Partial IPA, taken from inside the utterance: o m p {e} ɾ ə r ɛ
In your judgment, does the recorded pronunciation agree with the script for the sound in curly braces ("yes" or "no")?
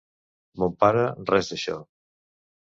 no